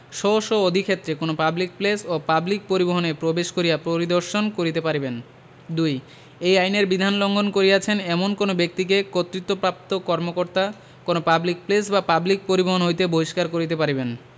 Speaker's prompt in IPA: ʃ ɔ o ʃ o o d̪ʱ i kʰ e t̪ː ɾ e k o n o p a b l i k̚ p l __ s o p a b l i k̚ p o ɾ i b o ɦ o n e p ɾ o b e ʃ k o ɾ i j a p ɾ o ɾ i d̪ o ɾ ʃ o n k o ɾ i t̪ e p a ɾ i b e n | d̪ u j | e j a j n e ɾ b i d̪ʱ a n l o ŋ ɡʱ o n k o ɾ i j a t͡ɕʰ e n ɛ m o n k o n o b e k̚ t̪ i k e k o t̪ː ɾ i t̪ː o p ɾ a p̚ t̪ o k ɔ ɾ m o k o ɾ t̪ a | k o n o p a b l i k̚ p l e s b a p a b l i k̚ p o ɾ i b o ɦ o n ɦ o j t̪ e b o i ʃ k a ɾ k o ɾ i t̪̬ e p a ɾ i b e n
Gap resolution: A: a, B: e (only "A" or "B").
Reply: B